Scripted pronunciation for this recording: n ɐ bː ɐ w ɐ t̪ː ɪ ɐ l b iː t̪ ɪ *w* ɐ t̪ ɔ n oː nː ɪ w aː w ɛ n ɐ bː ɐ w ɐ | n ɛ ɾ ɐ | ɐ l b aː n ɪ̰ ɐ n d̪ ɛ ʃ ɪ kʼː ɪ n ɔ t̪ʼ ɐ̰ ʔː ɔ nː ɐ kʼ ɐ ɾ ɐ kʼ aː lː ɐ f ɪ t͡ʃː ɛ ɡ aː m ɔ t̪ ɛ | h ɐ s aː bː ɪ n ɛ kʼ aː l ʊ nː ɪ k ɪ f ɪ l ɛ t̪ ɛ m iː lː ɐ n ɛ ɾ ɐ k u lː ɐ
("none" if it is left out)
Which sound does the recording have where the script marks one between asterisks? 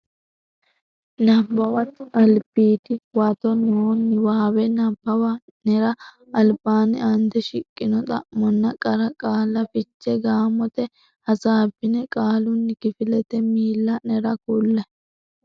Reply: w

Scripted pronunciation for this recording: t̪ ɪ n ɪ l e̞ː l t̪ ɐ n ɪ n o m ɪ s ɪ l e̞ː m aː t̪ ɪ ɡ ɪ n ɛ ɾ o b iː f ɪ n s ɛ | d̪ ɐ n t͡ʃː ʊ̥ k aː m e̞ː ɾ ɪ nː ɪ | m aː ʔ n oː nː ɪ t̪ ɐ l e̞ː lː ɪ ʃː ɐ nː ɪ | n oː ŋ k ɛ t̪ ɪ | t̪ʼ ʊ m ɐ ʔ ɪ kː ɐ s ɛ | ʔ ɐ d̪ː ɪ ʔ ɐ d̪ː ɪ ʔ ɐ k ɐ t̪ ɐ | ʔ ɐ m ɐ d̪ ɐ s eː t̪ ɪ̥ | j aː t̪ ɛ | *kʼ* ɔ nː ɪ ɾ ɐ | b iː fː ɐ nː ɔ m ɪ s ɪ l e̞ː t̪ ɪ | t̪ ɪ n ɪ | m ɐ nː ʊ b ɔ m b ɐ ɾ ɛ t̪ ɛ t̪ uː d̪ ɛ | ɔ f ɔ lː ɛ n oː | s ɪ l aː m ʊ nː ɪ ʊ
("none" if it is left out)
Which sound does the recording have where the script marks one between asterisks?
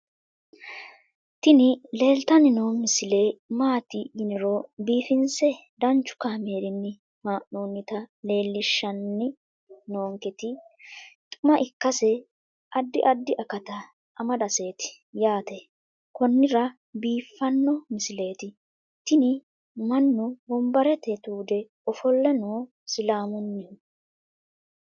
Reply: k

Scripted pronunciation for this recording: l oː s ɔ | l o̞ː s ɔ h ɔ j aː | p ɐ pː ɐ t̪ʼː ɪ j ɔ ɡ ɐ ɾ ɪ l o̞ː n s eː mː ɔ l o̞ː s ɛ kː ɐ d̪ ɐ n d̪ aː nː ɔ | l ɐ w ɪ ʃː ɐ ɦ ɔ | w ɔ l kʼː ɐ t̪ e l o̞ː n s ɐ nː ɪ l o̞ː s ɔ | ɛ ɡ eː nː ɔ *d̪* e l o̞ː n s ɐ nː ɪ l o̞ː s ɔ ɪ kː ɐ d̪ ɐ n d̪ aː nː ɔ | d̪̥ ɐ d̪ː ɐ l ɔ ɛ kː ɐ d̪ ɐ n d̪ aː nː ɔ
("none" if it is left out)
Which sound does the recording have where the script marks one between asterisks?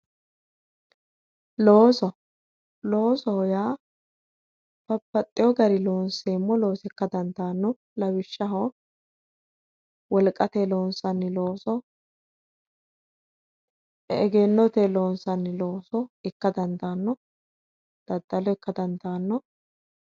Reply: t̪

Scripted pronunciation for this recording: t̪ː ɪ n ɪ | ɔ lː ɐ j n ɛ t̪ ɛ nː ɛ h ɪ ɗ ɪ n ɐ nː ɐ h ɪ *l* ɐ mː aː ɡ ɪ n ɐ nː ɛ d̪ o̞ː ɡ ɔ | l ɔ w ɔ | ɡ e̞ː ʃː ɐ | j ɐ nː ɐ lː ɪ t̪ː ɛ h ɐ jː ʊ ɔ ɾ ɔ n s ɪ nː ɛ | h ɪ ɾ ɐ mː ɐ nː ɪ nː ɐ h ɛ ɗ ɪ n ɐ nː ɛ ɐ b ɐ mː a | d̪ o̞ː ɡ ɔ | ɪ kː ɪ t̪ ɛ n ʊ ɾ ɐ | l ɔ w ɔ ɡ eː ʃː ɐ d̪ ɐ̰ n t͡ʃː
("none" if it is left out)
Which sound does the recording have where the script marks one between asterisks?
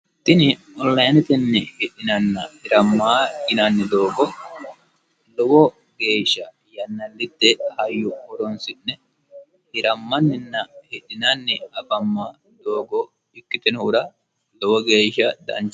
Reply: ɾ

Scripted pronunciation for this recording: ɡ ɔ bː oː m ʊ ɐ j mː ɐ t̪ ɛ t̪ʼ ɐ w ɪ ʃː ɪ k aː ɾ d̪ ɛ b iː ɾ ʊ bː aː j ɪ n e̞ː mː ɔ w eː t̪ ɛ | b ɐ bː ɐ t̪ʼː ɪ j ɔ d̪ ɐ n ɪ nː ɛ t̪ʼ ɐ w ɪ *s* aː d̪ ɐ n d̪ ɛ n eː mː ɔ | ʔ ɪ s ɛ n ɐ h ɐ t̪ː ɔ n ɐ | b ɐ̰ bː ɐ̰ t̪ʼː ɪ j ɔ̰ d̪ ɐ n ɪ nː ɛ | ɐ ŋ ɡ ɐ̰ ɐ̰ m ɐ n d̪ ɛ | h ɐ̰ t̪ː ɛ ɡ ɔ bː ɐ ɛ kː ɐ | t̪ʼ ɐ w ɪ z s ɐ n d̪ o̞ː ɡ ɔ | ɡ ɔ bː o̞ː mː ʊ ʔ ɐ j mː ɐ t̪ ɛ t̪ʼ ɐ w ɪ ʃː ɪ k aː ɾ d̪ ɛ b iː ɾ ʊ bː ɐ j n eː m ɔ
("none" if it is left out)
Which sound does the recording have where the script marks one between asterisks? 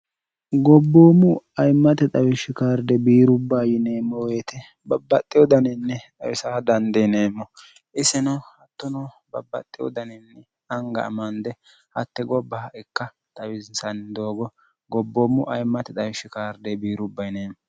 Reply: s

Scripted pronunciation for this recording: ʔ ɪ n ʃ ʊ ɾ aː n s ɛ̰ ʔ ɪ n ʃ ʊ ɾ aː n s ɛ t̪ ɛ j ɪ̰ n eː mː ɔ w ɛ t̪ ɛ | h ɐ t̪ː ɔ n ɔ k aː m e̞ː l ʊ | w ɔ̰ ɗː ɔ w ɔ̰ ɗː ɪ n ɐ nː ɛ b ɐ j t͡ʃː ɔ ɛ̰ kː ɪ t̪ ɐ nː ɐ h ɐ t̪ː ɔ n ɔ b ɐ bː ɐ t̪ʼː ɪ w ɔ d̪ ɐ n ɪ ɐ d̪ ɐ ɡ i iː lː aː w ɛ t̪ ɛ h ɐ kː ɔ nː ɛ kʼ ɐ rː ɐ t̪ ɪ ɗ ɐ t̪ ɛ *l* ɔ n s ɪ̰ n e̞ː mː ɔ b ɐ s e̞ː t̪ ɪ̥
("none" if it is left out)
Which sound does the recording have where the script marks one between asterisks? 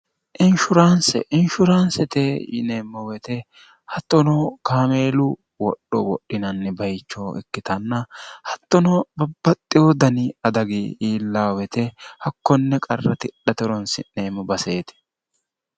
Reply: ɾ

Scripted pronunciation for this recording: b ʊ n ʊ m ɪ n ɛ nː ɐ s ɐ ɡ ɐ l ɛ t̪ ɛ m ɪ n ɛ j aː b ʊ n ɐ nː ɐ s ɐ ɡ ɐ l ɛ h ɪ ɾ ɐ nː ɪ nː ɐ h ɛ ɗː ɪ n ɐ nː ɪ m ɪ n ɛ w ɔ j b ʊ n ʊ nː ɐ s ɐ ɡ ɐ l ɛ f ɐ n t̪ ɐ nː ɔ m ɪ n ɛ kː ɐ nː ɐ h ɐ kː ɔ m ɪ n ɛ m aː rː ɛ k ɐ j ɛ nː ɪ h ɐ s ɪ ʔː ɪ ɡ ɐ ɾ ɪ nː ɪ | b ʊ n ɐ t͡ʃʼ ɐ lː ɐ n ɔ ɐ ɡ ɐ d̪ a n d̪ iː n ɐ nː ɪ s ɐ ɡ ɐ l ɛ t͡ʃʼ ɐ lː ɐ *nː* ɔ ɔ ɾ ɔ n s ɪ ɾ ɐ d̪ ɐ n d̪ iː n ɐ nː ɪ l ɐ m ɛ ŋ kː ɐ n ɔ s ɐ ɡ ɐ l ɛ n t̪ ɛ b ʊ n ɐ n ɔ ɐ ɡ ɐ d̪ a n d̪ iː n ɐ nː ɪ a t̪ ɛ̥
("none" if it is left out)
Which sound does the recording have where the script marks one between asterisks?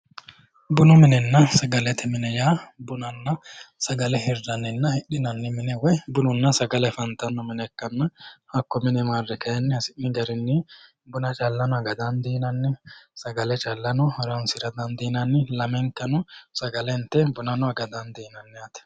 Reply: n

